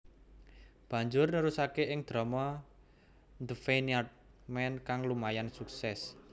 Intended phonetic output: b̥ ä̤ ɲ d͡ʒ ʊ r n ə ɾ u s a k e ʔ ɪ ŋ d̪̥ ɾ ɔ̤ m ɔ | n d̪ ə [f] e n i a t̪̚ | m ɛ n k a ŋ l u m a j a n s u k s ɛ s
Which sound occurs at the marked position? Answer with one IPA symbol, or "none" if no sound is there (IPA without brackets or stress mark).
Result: f